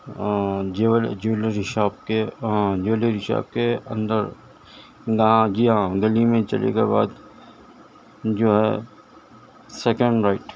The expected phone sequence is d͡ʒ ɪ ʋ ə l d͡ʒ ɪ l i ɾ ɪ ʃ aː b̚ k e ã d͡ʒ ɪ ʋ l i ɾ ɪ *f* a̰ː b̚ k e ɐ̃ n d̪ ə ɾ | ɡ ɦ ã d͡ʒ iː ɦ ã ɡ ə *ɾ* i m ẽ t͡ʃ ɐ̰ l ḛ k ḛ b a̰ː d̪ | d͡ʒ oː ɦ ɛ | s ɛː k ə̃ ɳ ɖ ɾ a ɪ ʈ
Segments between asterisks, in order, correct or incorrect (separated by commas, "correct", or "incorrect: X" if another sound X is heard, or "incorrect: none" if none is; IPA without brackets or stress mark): incorrect: ʃ, incorrect: l